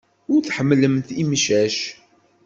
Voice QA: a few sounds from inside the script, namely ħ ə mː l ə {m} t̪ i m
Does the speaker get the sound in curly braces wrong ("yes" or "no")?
no